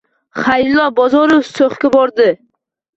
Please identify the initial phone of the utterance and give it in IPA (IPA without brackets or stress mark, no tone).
χ